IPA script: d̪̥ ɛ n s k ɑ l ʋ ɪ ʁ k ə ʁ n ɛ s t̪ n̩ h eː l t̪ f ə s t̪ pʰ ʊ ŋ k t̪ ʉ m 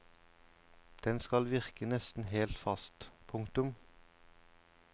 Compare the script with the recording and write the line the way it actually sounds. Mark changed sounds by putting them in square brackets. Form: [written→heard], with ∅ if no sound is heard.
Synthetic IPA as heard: d̪̥ ɛ n s k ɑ l ʋ ɪ ʁ k ə [ʁ→∅] n ɛ s t̪ n̩ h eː l t̪ f [ə→ɑ] s t̪ pʰ ʊ ŋ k t̪ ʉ m